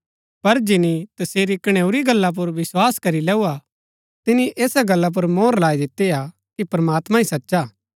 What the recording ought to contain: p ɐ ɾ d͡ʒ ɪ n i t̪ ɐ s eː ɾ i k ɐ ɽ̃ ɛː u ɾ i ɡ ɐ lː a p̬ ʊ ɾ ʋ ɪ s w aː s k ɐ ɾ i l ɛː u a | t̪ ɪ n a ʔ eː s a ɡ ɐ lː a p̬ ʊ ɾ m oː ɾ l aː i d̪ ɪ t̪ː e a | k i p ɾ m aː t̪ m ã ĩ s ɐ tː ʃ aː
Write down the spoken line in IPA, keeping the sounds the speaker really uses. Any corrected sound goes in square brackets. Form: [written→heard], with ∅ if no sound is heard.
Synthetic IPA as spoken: p ɐ ɾ d͡ʒ ɪ n i t̪ ɐ s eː ɾ i k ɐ ɽ̃ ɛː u ɾ i ɡ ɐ lː a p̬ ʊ ɾ ʋ ɪ s w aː s k ɐ ɾ i l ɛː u a | t̪ ɪ n [a→i] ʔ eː s a ɡ ɐ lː a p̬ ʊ ɾ m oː ɾ l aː i d̪ ɪ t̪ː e a | k i p ɾ m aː t̪ m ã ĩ s ɐ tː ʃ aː

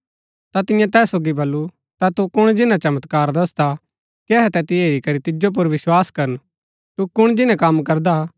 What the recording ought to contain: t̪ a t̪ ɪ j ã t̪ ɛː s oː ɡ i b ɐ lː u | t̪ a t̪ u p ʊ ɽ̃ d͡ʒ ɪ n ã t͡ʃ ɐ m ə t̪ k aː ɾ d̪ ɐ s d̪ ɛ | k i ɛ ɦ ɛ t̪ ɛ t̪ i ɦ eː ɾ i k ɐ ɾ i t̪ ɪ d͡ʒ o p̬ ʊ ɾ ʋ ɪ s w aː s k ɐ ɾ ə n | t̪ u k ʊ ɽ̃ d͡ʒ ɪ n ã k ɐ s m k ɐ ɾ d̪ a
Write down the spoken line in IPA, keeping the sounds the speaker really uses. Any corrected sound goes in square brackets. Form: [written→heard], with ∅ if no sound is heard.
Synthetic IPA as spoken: t̪ a t̪ ɪ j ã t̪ ɛː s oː ɡ i b ɐ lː u | t̪ a t̪ u [p→k] ʊ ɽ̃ d͡ʒ ɪ n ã t͡ʃ ɐ m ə t̪ k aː ɾ d̪ ɐ s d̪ [ɛ→a] | k i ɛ ɦ ɛ t̪ ɛ t̪ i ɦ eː ɾ i k ɐ ɾ i t̪ ɪ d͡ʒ o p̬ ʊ ɾ ʋ ɪ s w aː s k ɐ ɾ ə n | t̪ u k ʊ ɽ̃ d͡ʒ ɪ n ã k ɐ [s→∅] m k ɐ ɾ d̪ a

